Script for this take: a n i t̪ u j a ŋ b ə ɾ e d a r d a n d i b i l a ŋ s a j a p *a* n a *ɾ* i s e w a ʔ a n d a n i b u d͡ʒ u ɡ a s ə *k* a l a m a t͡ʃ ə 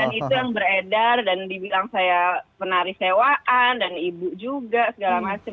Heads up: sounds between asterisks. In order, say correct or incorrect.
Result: incorrect: ə, correct, incorrect: ɡ

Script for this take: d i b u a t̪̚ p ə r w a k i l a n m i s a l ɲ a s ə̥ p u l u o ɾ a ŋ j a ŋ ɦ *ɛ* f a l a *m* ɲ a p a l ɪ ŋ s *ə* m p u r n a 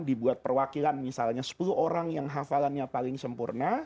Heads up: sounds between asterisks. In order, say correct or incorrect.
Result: incorrect: a, incorrect: n, correct

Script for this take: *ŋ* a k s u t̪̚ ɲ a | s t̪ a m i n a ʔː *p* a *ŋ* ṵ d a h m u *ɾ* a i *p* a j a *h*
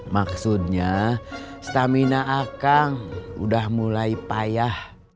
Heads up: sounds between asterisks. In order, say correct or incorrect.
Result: incorrect: m, incorrect: k, correct, incorrect: l, correct, correct

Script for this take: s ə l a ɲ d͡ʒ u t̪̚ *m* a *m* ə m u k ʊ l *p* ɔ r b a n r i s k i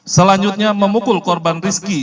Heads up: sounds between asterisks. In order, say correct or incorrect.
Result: incorrect: ɲ, correct, incorrect: k

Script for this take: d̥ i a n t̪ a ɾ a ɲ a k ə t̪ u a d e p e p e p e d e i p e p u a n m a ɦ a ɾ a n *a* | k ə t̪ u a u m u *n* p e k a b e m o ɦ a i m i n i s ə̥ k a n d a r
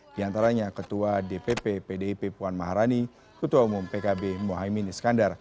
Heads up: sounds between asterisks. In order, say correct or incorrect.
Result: incorrect: i, incorrect: m

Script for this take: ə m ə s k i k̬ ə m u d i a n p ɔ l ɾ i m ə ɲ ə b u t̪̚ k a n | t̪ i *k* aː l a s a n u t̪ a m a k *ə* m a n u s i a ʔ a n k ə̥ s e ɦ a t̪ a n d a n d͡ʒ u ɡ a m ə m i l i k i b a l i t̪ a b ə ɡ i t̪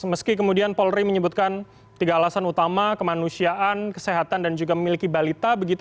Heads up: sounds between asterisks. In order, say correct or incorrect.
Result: incorrect: ɡ, correct

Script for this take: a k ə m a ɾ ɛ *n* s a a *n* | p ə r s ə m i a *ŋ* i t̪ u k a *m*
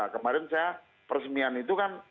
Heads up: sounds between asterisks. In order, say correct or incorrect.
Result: correct, incorrect: none, incorrect: n, incorrect: n

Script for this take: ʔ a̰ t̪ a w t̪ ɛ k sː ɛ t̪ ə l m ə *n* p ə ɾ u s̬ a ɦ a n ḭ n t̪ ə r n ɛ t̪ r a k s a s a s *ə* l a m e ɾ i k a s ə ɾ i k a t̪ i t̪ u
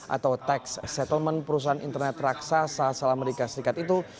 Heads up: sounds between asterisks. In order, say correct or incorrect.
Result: correct, incorrect: a

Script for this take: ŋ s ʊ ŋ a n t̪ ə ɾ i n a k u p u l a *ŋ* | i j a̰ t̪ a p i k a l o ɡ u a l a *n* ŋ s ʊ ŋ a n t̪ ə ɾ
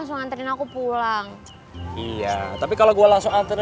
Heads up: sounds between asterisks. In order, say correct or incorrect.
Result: correct, incorrect: none

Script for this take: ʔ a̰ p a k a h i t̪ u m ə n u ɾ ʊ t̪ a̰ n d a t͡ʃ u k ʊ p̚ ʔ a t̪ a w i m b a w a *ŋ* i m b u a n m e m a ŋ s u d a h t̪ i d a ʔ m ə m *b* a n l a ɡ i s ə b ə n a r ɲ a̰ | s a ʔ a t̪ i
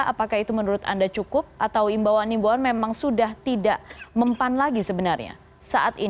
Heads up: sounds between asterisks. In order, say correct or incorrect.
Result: incorrect: n, incorrect: p

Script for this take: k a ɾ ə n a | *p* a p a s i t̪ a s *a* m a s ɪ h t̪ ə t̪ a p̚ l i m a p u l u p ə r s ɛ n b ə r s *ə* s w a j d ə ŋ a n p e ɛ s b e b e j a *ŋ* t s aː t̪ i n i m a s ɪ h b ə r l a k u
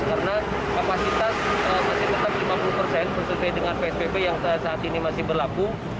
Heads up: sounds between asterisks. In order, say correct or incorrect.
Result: incorrect: k, incorrect: ə, correct, correct

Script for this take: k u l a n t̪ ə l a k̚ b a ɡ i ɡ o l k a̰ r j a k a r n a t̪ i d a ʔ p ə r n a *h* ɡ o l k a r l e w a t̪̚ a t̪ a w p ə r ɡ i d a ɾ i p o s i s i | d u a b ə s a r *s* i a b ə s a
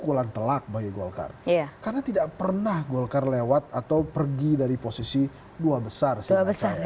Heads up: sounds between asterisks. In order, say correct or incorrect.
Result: correct, correct

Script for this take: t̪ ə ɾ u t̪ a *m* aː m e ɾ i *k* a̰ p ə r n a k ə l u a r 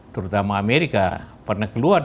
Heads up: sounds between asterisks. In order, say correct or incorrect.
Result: correct, correct

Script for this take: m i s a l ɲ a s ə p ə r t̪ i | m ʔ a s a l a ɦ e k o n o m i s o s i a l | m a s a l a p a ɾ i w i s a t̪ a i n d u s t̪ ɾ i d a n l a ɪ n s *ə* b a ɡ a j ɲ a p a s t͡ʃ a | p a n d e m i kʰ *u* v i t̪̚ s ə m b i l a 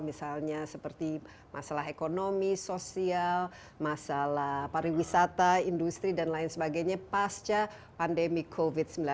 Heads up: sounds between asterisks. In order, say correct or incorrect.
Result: correct, incorrect: o

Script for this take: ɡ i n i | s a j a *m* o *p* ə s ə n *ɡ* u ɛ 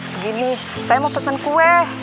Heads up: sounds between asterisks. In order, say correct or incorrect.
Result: correct, correct, incorrect: k

